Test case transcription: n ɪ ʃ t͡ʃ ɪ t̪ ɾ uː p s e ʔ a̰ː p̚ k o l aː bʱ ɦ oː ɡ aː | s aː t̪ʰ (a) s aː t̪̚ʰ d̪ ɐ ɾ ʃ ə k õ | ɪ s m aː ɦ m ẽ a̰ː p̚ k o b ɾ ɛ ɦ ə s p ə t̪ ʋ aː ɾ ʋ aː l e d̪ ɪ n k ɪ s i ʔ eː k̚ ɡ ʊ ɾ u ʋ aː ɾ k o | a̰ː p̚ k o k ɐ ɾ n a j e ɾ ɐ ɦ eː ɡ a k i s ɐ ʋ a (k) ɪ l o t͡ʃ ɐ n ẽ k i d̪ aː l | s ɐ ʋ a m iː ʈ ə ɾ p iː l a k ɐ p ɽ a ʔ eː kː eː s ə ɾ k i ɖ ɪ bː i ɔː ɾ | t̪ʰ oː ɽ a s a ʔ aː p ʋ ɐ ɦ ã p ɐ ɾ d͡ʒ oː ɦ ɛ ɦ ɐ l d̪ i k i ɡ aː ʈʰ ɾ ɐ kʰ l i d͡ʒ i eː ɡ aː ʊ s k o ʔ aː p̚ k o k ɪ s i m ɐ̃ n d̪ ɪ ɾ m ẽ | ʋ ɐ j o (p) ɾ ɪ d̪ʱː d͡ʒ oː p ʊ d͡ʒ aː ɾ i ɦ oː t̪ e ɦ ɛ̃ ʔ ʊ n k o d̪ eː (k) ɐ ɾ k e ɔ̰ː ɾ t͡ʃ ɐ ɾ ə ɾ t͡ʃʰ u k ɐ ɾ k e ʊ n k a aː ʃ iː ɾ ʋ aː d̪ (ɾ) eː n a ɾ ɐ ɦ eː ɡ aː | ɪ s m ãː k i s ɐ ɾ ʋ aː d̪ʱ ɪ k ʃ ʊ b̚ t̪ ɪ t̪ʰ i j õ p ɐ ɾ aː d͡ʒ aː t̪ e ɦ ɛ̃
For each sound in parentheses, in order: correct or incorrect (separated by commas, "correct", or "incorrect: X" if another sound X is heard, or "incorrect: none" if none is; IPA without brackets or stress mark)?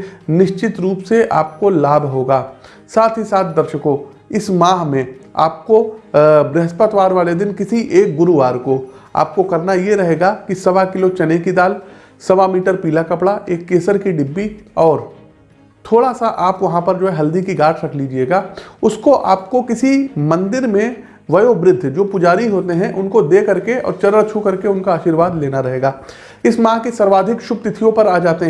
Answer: incorrect: i, correct, incorrect: b, correct, incorrect: l